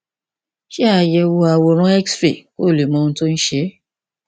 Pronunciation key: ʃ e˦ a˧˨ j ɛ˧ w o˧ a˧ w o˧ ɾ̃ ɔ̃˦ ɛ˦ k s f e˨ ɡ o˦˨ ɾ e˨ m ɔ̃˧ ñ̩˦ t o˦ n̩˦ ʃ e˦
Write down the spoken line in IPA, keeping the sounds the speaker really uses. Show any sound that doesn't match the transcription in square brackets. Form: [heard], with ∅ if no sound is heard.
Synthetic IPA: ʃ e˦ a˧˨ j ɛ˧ w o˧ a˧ w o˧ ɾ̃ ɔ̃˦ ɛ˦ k s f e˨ [k] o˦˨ [l] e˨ m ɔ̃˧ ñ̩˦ t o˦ n̩˦ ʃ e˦